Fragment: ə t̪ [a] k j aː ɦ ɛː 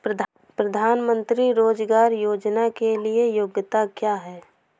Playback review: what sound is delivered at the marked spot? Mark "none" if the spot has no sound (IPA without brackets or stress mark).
a